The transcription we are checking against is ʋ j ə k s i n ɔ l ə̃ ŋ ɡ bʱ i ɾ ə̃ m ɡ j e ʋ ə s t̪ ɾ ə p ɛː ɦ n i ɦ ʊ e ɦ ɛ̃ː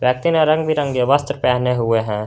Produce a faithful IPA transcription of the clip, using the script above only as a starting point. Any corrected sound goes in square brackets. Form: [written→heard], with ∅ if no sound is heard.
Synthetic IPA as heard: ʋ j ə k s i n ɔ [l→ɾ] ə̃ ŋ ɡ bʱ i ɾ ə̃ [m→ŋ] ɡ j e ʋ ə s t̪ ɾ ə p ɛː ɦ n [i→e] ɦ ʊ e ɦ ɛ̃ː

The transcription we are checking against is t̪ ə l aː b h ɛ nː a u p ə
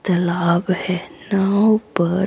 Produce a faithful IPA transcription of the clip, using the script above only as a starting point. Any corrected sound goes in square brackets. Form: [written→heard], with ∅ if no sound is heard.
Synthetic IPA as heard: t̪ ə l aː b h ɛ [nː→n] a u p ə

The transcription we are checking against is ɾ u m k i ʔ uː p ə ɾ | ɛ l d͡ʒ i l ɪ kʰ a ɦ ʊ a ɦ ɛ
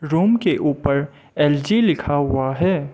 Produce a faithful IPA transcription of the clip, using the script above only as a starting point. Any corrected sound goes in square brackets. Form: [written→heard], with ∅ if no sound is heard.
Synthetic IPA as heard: ɾ [u→uː] m k [i→e] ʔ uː p ə ɾ | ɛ l d͡ʒ i l ɪ kʰ a ɦ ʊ a ɦ [ɛ→ɛː]

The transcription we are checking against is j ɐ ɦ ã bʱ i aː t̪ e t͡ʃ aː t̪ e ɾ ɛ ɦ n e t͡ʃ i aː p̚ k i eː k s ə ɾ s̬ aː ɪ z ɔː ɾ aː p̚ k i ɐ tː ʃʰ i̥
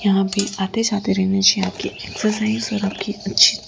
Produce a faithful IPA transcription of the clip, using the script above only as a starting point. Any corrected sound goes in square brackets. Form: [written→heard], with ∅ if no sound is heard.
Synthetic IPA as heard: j ɐ ɦ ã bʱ i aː t̪ e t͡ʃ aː t̪ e ɾ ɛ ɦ n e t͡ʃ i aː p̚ k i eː k s ə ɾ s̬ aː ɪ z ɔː ɾ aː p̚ k i ɐ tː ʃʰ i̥

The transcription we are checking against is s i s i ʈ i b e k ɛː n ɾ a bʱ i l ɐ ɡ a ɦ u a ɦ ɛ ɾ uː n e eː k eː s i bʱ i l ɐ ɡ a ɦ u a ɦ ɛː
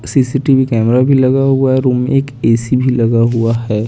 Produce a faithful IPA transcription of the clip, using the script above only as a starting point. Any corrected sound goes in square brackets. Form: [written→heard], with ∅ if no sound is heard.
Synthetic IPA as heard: s i s i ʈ i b [e→i] k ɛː [n→m] ɾ a bʱ i l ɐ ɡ a ɦ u a ɦ ɛ ɾ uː [n→m] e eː k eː s i bʱ i l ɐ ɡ a ɦ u a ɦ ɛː

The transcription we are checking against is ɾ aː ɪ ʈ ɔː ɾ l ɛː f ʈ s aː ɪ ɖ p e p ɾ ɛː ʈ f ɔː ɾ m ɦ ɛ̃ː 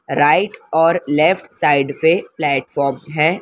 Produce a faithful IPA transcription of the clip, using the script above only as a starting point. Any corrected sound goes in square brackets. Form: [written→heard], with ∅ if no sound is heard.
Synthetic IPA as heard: ɾ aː ɪ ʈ ɔː ɾ l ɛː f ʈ s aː ɪ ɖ p e p [ɾ→l] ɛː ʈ f ɔː ɾ m ɦ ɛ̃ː

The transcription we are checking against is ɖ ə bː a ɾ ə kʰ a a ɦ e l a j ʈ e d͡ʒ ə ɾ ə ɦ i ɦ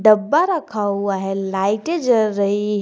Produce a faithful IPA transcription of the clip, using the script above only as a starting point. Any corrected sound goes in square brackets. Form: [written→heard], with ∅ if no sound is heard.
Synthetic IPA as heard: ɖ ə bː a ɾ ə kʰ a a ɦ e l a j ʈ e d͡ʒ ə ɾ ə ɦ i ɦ

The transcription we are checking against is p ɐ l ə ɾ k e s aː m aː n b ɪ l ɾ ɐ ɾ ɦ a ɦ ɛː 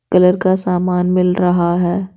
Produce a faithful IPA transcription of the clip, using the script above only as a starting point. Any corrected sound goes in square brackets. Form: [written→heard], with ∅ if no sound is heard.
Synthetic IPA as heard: [p→k] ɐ l ə ɾ k [e→a] s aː m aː n [b→m] ɪ l ɾ ɐ [ɾ→∅] ɦ a ɦ ɛː

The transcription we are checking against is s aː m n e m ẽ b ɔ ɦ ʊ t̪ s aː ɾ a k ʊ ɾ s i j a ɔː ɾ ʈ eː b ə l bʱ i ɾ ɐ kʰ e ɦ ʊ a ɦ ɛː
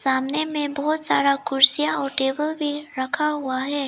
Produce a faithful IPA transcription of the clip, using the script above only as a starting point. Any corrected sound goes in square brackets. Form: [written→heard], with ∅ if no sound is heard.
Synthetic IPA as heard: s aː m n e m ẽ b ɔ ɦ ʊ t̪ s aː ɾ a k ʊ ɾ s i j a ɔː ɾ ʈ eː b ə l bʱ i ɾ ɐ kʰ [e→a] ɦ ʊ a ɦ ɛː

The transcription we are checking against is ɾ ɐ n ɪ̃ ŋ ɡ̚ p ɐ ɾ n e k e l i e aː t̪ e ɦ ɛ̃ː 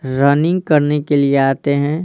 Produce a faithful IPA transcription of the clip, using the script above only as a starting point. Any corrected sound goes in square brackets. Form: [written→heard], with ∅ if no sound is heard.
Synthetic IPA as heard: ɾ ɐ n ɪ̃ ŋ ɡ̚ [p→k] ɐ ɾ n e k e l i e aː t̪ e ɦ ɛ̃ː

